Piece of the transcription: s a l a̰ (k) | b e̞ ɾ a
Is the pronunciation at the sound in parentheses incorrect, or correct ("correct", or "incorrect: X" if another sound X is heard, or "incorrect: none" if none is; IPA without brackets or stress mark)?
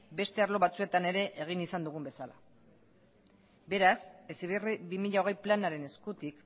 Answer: incorrect: none